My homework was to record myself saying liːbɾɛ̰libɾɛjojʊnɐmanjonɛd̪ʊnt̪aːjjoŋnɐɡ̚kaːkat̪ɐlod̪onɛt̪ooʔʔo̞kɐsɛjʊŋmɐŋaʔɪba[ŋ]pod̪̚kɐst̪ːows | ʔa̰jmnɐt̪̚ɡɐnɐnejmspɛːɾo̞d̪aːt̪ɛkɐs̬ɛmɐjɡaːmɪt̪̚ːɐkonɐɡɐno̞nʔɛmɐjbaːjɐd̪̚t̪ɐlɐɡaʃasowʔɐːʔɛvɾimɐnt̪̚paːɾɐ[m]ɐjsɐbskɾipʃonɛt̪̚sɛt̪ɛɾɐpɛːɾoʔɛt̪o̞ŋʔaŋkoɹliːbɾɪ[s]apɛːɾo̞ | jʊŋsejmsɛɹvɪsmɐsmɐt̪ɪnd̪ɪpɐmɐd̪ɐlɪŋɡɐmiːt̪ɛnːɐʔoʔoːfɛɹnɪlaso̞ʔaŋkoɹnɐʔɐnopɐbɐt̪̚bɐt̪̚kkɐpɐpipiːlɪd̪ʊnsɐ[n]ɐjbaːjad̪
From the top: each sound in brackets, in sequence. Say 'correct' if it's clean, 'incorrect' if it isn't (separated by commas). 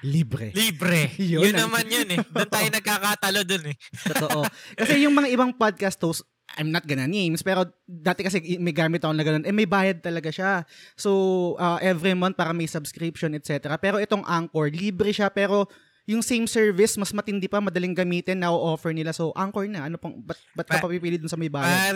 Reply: correct, correct, incorrect, incorrect